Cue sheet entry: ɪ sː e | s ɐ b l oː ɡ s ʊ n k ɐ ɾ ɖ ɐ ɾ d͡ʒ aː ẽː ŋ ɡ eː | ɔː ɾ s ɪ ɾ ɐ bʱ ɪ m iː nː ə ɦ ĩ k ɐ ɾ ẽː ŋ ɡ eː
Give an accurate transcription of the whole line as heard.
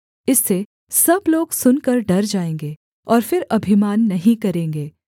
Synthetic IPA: ɪ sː e | s ɐ b l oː ɡ s ʊ n k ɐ ɾ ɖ ɐ ɾ d͡ʒ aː ẽː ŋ ɡ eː | ɔː ɾ f ɪ ɾ ɐ bʱ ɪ m aː nː ɐ ɦ ĩ k ɐ ɾ ẽː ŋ ɡ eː